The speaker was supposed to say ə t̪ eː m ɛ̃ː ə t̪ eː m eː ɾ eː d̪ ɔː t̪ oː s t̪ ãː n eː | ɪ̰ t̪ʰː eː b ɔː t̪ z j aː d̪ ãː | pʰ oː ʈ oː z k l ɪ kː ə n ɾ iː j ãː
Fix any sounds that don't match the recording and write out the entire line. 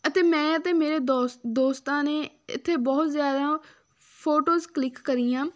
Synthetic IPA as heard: ə t̪ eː m ɛ̃ː ə t̪ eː m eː ɾ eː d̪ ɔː d̪ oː s t̪ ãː n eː | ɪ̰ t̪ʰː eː b ɔː t̪ z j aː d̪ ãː | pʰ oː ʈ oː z k l ɪ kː ə ɾ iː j ãː